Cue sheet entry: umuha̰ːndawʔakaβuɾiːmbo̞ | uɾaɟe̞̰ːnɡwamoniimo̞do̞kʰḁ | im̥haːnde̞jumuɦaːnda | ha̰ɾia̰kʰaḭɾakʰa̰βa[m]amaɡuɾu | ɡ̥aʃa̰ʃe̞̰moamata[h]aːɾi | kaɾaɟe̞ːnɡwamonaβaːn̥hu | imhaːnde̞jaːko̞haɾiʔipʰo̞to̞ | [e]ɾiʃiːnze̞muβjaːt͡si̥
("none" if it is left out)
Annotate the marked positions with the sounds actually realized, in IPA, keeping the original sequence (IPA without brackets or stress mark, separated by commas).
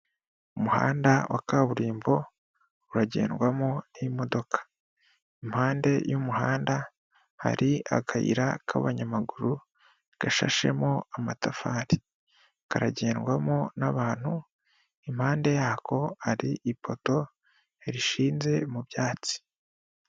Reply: ɲ, f, e